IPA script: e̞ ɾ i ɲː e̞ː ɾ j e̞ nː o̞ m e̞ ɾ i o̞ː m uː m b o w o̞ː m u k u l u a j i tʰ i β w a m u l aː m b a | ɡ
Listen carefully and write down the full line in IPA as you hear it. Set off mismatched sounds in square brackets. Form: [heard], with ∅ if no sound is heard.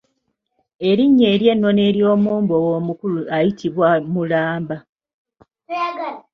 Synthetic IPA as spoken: e̞ ɾ i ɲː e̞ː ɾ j e̞ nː o̞ [n] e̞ ɾ [j] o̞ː m uː m b o w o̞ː m u k u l u a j i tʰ i β w a m u l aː m b a | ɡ